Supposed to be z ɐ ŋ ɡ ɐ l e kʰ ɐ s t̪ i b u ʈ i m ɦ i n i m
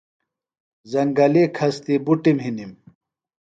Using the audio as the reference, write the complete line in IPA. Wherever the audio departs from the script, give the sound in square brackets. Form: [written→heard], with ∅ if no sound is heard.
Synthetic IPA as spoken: z ɐ ŋ ɡ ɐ l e kʰ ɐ s t̪ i b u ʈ i m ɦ i n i m